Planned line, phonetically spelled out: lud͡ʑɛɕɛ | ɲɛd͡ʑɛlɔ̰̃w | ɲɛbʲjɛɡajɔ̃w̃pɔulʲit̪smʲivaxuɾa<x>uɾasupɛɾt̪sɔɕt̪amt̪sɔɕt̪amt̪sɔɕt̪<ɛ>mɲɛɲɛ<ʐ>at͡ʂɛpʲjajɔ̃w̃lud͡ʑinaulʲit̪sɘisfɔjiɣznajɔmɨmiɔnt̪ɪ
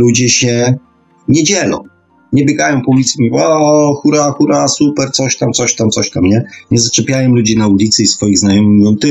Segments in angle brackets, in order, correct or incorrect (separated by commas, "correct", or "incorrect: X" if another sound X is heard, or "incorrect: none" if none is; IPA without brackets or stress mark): correct, incorrect: a, incorrect: z